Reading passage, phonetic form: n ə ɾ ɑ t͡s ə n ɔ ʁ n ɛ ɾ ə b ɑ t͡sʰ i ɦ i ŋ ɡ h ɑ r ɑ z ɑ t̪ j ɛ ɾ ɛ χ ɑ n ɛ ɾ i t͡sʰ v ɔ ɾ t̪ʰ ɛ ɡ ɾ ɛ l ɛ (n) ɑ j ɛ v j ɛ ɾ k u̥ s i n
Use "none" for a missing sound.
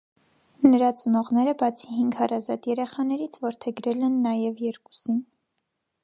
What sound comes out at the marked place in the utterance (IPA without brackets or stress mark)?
nː